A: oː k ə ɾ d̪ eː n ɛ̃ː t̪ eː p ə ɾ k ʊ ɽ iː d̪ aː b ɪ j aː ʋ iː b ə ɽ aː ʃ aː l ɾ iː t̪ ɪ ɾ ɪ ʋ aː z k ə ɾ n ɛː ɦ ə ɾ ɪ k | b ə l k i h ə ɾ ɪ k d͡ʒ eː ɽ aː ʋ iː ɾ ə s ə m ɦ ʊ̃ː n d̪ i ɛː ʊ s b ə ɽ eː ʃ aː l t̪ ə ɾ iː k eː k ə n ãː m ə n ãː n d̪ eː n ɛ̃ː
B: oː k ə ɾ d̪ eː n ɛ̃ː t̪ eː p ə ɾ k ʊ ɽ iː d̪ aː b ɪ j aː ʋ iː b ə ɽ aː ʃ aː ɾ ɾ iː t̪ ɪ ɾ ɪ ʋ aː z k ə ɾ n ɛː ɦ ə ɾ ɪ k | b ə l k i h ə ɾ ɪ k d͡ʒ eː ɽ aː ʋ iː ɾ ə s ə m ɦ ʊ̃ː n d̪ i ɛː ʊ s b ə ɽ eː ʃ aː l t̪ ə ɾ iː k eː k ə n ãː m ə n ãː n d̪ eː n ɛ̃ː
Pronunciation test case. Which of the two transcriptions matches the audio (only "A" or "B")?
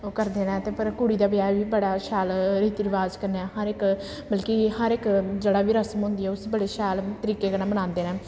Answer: A